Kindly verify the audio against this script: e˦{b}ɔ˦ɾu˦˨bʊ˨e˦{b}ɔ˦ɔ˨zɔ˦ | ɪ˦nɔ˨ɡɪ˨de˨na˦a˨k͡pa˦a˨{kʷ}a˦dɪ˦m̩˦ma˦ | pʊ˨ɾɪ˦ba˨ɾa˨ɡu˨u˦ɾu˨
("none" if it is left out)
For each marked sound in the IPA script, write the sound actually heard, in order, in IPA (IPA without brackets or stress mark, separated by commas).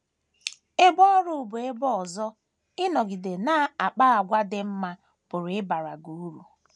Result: b, b, ɡʷ